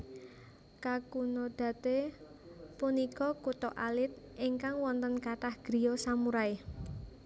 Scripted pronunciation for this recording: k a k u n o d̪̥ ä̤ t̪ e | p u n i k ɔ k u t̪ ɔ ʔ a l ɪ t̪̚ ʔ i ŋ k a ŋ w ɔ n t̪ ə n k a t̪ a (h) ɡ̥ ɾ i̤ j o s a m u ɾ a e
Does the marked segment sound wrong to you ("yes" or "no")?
no